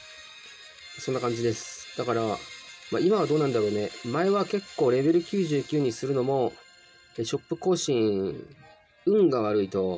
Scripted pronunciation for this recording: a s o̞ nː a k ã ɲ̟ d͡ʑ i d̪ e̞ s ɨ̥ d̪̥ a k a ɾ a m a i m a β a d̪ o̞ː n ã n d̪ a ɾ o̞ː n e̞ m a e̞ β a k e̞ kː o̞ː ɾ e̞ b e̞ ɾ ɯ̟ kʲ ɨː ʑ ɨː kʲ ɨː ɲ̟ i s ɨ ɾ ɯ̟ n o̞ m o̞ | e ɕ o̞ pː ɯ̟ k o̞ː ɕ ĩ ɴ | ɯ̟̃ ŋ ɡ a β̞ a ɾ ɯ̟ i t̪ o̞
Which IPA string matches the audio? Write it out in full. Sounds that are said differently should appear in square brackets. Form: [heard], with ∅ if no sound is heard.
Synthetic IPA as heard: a s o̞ nː a k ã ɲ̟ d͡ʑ i d̪ e̞ s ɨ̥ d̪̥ a k a ɾ a m a i m a β a d̪ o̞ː n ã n d̪ a ɾ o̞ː n e̞ m a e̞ β a k e̞ kː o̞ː ɾ e̞ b e̞ ɾ ɯ̟ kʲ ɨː ʑ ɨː kʲ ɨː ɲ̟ i s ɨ ɾ ɯ̟ n o̞ m o̞ | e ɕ o̞ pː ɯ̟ k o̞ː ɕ ĩ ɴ | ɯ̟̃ ŋ ɡ a β̞ a ɾ ɯ̟ i t̪ o̞